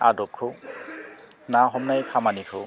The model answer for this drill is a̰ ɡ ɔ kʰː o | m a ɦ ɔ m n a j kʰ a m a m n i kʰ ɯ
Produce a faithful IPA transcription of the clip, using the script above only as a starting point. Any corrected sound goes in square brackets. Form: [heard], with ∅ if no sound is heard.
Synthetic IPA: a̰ [d] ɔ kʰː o | [n] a ɦ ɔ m n a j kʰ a m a [∅] n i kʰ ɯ